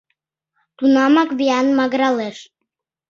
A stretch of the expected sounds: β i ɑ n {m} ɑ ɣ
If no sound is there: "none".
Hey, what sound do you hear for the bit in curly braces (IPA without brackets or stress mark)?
m